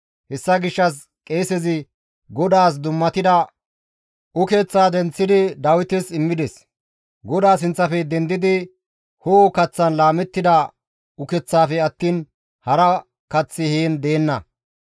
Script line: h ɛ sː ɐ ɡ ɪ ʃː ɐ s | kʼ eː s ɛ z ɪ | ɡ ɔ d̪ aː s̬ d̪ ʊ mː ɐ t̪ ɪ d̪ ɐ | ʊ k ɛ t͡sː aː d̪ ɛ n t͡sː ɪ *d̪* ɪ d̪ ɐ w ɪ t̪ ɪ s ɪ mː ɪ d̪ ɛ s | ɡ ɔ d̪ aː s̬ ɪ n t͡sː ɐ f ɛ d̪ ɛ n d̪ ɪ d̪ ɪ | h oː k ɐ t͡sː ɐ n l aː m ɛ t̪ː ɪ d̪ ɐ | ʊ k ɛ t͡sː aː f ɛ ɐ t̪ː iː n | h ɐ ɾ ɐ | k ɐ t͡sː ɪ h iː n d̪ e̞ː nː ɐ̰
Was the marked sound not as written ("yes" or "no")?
no